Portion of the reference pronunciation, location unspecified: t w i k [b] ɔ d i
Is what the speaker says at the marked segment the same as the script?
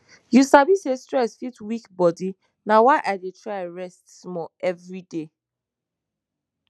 yes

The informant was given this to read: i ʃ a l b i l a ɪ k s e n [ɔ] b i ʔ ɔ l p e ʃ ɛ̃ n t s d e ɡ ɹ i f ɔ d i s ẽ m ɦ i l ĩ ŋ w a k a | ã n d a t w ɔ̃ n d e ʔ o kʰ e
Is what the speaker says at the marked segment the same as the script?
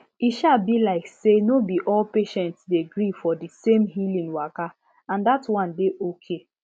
no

